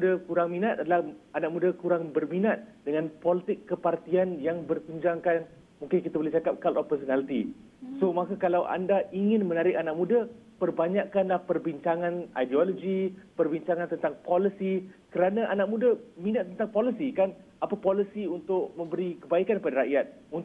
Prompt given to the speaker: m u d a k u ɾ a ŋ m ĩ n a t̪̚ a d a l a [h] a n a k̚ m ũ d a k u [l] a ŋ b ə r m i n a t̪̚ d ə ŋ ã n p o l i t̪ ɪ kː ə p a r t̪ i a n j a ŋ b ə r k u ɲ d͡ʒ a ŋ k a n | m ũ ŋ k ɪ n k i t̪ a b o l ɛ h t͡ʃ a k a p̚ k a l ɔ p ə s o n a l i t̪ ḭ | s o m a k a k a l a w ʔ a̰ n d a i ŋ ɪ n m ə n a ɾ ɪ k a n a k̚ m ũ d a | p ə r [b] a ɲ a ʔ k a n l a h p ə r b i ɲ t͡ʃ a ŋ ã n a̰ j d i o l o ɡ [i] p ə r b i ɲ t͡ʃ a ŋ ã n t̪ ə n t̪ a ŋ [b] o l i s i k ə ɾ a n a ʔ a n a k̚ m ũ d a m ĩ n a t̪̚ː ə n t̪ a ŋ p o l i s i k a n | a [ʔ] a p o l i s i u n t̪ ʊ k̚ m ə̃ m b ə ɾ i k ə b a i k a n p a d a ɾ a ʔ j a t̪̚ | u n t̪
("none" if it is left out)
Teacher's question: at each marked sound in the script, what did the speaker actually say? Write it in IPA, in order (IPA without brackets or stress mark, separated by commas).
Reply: h, ɾ, b, i, p, p